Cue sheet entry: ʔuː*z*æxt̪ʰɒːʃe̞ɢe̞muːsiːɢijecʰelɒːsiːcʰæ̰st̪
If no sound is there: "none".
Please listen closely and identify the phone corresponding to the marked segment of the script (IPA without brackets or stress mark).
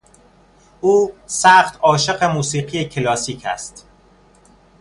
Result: s